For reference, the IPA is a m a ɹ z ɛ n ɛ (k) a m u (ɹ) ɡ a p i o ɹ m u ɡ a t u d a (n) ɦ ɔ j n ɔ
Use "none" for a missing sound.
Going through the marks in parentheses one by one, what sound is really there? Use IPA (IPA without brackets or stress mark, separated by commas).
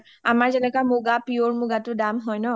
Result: k, none, m